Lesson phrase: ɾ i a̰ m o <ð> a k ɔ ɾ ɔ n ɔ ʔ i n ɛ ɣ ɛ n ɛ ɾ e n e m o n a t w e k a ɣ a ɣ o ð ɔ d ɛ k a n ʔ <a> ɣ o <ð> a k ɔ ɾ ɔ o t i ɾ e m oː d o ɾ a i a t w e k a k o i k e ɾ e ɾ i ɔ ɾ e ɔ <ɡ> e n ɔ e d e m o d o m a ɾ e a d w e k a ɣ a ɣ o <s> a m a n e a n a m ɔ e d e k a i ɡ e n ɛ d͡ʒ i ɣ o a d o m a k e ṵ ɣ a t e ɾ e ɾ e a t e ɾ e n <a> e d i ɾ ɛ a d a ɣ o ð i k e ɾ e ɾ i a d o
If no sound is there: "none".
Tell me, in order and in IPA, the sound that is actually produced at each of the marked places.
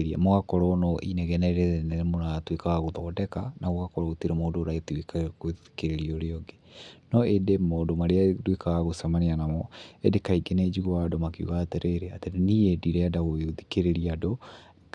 ɣ, a, ɣ, ɡ, s, i

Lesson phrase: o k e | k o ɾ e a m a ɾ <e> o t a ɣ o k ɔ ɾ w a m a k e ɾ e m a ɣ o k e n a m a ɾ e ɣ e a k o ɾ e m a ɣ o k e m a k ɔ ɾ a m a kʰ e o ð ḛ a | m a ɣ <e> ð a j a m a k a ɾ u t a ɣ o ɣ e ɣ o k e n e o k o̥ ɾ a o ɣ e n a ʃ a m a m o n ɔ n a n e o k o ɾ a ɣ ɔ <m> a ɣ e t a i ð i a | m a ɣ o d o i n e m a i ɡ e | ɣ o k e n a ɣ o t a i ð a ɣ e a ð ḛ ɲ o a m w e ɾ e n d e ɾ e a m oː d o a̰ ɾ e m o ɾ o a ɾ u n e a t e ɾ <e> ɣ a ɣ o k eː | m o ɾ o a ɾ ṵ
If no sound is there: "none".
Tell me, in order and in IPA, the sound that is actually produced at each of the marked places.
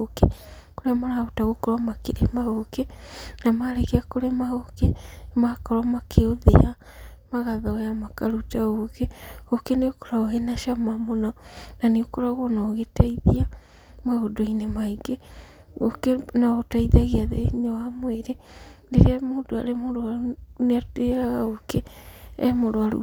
a, a, n, a

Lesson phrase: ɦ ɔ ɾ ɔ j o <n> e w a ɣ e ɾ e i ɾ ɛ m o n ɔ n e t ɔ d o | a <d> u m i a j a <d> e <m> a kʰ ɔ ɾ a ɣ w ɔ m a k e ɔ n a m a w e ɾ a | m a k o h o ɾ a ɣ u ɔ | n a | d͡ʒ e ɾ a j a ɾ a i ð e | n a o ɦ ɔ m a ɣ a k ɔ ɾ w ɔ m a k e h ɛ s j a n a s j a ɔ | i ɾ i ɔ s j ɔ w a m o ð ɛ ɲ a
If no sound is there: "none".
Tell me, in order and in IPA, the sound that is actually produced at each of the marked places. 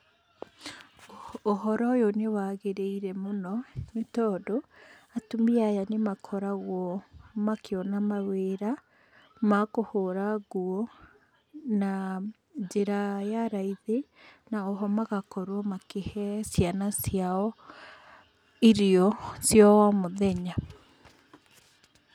n, t, n, m

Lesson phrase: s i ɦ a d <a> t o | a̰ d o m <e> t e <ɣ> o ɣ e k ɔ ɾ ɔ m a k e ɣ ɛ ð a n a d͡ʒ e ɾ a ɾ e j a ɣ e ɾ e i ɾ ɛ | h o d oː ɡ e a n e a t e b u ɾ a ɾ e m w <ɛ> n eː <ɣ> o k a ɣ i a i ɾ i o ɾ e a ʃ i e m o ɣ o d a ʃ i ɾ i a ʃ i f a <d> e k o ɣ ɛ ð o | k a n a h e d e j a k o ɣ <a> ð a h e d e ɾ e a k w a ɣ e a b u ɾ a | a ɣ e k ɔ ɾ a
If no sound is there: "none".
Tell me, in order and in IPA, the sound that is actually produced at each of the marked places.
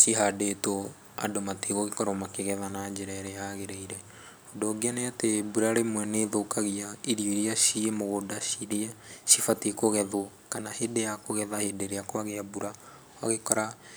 e, a, ɣ, ɛ, ð, t, ɛ

